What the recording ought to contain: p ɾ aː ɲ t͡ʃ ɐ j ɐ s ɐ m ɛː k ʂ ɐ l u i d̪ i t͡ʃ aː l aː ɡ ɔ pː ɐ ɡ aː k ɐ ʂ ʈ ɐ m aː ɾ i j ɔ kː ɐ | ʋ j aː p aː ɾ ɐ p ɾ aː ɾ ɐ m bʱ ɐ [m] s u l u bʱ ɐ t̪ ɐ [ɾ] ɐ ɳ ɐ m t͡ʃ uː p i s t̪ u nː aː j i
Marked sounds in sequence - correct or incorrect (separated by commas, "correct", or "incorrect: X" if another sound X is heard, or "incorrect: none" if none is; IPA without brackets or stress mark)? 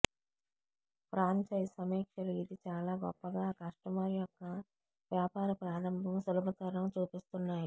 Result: correct, correct